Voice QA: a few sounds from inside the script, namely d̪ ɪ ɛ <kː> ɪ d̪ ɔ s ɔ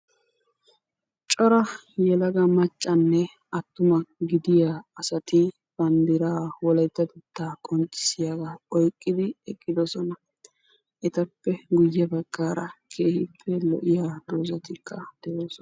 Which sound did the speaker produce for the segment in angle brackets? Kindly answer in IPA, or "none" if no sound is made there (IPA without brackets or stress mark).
kʼː